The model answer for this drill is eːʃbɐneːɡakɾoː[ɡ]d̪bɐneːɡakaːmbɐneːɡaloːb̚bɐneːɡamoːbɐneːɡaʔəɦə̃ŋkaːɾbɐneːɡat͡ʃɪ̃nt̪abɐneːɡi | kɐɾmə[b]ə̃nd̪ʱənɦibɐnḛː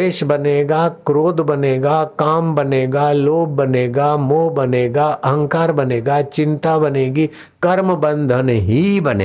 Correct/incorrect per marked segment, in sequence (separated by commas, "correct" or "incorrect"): incorrect, correct